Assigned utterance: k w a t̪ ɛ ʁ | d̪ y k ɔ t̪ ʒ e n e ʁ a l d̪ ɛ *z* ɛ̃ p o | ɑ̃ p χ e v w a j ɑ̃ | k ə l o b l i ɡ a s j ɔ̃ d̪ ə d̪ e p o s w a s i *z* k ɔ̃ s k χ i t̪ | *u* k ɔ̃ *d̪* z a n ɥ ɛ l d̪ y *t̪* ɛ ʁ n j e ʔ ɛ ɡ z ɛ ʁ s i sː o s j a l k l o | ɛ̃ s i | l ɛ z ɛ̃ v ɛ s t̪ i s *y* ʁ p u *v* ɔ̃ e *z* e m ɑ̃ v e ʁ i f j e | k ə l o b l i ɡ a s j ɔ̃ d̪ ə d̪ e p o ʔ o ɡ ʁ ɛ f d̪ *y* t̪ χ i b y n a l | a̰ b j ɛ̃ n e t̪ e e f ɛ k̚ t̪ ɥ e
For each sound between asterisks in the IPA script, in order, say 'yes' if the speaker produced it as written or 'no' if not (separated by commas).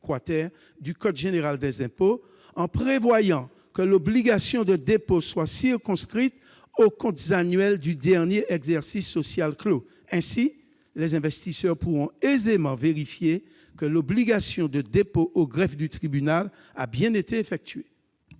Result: yes, no, no, no, no, no, no, yes, yes